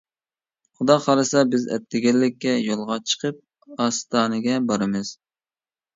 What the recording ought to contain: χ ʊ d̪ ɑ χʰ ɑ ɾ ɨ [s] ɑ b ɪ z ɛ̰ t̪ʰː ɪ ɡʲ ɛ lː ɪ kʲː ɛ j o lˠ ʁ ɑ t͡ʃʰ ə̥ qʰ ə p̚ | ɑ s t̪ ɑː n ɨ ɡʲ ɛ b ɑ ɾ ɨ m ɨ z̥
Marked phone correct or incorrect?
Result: correct